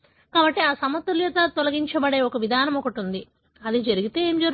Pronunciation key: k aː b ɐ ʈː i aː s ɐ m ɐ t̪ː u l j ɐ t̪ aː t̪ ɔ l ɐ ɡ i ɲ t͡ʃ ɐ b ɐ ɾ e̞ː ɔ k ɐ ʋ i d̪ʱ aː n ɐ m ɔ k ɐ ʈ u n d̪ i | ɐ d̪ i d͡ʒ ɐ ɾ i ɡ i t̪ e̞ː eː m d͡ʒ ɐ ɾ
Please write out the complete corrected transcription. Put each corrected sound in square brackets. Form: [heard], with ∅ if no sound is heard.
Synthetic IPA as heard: k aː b ɐ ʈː i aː s ɐ m ɐ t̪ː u l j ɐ t̪ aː t̪ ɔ l ɐ ɡ i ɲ t͡ʃ ɐ b ɐ [ɽ] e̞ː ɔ k ɐ ʋ i d̪ʱ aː n ɐ m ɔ k ɐ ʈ u n d̪ i | ɐ d̪ i d͡ʒ ɐ ɾ i ɡ i t̪ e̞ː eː m d͡ʒ ɐ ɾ